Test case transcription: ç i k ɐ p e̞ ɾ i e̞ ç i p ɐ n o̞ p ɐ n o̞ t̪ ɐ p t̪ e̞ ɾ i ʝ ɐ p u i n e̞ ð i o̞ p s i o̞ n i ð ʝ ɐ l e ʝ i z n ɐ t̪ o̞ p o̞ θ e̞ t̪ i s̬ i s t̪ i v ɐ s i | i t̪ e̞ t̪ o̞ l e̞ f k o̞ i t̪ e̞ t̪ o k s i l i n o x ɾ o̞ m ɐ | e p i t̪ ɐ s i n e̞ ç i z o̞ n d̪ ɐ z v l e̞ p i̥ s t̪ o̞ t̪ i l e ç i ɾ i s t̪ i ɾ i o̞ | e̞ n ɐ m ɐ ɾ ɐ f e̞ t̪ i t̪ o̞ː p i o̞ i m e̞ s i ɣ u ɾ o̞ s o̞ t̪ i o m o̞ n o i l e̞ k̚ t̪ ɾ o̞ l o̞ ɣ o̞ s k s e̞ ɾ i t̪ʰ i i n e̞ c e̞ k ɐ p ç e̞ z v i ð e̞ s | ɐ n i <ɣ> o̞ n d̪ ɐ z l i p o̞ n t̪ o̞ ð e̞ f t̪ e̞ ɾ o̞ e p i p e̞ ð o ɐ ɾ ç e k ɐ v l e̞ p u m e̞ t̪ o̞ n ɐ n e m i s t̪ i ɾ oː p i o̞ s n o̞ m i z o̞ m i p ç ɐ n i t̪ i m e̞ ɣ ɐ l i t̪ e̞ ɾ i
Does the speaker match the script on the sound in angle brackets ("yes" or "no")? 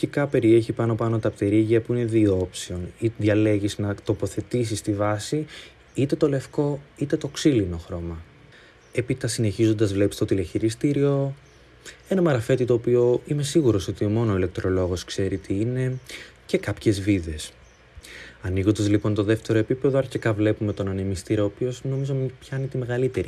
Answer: yes